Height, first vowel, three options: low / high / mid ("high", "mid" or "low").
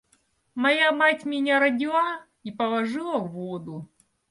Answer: low